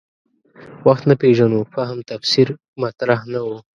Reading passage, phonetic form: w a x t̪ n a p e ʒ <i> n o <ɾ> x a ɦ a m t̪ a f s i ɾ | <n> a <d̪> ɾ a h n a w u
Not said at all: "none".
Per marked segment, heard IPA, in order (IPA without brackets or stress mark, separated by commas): a, none, m, t̪